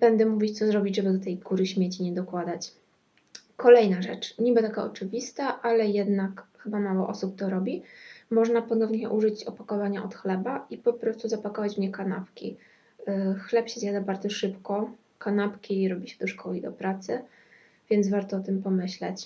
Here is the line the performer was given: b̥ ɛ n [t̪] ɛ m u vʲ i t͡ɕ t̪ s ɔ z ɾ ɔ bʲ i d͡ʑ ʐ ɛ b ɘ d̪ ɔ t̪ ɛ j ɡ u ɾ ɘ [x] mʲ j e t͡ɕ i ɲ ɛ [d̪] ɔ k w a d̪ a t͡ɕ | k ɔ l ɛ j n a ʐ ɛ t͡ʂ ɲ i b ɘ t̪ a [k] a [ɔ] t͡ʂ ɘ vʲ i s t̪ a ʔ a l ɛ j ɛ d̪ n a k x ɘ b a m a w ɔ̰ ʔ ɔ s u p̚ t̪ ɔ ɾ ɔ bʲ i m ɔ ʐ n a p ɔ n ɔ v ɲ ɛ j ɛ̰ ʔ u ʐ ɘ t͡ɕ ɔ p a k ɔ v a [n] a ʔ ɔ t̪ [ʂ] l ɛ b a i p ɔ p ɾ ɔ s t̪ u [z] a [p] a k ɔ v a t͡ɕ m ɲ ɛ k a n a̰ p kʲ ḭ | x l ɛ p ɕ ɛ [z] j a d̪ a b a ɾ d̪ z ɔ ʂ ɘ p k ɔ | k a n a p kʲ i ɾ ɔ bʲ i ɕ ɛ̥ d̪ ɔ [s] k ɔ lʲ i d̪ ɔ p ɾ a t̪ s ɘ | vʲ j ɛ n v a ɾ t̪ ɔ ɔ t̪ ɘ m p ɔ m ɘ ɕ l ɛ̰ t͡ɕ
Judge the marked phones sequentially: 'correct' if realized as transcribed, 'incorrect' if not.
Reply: incorrect: d̪, incorrect: ɕ, correct, correct, correct, incorrect: ɲ, incorrect: x, correct, correct, correct, incorrect: ʂ

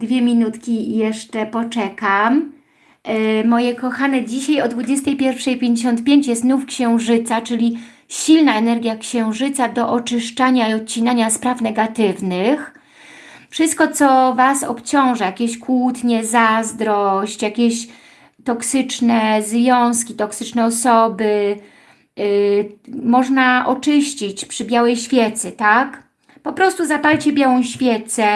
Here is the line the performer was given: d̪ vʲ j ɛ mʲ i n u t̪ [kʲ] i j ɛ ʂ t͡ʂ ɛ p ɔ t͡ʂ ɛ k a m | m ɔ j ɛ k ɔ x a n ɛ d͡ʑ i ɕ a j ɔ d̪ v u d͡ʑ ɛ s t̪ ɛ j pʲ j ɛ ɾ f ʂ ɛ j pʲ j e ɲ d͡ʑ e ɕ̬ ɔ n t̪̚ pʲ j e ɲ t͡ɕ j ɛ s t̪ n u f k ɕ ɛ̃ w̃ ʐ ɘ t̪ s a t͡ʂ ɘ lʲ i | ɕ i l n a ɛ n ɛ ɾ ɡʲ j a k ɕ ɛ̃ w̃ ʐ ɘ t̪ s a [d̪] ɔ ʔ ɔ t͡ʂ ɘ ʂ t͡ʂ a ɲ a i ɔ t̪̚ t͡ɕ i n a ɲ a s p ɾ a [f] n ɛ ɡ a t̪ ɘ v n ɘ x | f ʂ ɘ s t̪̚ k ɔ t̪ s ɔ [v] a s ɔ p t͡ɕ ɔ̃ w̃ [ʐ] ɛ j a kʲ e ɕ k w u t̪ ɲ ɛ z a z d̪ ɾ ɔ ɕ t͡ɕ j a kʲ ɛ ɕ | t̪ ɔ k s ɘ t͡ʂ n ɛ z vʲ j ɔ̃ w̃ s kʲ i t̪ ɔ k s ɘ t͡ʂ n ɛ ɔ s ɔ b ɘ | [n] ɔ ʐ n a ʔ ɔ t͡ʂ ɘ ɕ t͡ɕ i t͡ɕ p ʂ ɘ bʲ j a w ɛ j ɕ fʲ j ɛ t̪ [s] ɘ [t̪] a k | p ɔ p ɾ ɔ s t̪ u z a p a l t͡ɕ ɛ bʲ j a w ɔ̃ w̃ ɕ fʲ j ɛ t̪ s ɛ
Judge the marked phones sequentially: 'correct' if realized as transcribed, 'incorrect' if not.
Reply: correct, correct, correct, correct, correct, incorrect: m, correct, correct

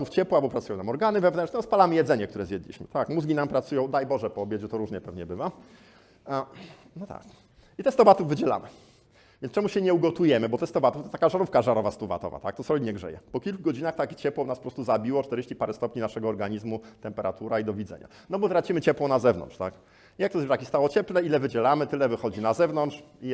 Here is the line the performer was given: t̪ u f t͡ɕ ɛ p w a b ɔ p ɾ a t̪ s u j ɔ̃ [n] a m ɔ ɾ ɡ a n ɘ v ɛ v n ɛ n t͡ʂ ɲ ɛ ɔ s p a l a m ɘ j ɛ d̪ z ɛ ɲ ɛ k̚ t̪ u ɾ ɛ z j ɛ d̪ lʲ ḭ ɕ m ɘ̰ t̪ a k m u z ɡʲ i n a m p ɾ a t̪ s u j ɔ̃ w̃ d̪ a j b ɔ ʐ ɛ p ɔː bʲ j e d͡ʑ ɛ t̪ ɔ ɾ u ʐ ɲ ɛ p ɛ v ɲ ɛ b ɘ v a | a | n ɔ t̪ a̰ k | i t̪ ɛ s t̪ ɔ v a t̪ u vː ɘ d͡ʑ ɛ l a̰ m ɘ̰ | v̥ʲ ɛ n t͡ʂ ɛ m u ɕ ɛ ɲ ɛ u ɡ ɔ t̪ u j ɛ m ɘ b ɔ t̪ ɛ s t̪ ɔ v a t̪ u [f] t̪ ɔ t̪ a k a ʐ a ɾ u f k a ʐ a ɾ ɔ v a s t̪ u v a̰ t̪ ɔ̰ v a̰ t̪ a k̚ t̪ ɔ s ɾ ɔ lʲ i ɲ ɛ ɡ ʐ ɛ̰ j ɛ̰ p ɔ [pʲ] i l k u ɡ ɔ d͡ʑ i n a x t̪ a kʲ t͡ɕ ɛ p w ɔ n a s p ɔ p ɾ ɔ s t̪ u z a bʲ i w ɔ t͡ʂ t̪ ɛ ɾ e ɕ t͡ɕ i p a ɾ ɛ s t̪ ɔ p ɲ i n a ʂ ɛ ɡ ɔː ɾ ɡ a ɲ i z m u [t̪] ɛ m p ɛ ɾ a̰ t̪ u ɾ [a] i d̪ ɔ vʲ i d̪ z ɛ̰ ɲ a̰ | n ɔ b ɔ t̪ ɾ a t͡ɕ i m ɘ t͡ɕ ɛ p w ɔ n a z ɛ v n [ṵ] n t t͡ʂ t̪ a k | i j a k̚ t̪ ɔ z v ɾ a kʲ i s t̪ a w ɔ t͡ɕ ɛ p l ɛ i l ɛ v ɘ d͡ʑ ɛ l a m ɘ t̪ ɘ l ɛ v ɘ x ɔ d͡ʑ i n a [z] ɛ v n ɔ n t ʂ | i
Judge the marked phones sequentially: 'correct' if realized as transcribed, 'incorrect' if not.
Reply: correct, correct, incorrect: kʲ, correct, correct, incorrect: ɔ̰, correct

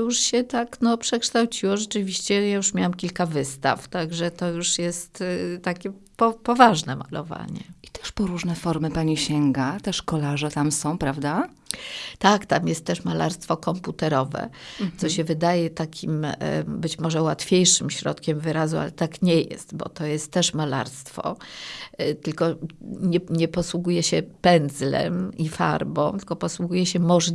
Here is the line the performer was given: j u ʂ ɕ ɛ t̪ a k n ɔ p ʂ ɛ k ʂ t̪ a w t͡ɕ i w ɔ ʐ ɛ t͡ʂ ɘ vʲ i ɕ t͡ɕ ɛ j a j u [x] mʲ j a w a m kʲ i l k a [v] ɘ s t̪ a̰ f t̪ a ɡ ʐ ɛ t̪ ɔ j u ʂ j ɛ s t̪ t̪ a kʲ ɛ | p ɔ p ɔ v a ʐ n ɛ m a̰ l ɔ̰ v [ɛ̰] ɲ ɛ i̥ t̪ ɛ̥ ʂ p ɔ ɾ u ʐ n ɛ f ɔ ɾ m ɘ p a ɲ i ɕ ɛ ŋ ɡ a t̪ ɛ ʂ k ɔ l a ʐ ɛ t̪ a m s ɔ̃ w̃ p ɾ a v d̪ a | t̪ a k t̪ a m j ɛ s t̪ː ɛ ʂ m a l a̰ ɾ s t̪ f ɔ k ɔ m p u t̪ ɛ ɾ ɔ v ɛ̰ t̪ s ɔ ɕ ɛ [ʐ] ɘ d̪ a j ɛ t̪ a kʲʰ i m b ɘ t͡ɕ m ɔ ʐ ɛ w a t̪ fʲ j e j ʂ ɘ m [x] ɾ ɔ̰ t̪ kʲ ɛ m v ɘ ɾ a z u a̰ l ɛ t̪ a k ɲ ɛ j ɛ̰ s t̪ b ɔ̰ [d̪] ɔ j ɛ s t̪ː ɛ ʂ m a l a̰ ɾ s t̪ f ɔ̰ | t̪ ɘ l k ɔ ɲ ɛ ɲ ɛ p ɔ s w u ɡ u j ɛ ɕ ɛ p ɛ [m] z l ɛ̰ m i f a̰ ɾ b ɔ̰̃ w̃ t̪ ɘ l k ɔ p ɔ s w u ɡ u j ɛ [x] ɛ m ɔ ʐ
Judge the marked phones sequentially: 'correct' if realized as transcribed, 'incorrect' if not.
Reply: incorrect: ʂ, correct, incorrect: a̰, incorrect: v, incorrect: ɕ, incorrect: t̪, incorrect: n, incorrect: ɕ

